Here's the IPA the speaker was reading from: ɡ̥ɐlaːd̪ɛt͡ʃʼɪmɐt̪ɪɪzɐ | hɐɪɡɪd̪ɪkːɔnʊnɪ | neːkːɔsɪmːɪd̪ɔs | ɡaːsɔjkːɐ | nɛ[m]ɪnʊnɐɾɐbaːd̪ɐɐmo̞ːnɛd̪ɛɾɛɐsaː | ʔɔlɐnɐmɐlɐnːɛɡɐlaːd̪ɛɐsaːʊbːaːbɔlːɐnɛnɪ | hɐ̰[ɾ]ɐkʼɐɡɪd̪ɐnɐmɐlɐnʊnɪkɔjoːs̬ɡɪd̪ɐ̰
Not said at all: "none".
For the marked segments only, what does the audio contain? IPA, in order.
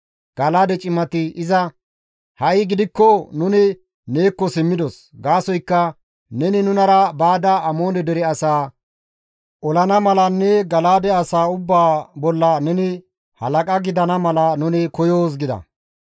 n, l

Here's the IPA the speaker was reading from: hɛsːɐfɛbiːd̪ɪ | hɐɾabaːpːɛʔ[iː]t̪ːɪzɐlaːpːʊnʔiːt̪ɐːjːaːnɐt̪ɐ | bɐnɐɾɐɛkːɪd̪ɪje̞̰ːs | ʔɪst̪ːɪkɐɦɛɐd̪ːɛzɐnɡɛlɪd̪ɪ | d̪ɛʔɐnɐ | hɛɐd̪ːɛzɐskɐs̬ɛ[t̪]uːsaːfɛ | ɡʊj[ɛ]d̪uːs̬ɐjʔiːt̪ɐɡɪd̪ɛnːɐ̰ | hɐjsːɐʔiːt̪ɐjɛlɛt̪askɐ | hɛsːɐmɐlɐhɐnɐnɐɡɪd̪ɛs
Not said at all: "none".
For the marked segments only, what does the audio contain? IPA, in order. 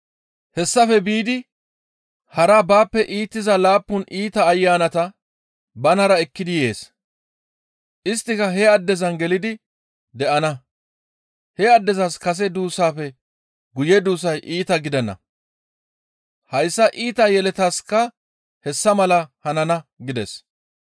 iː, d̪, ɛ

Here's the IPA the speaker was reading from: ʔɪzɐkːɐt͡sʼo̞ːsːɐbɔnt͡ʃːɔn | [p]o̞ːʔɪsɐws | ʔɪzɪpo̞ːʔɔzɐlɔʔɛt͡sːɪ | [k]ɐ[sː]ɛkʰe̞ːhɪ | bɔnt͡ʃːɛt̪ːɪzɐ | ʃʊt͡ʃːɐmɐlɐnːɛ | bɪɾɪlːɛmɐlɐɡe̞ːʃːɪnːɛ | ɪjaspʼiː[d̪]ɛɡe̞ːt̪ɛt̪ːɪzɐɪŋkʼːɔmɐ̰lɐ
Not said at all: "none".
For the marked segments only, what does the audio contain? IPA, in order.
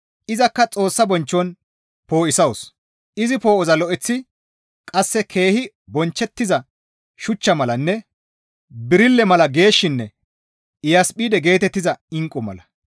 p, kʼ, sː, d̪

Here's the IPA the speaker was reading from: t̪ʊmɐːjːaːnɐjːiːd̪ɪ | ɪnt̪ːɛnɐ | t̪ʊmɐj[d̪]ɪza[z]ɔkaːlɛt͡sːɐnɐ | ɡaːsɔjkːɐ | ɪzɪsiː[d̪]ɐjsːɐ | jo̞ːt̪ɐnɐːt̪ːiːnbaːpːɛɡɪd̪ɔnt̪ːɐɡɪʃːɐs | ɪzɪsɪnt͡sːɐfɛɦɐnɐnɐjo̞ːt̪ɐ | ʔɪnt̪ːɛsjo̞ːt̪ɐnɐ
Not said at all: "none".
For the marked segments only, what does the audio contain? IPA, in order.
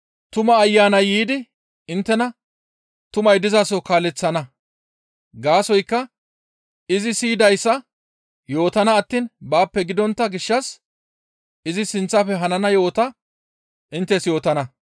d̪, s, d̪

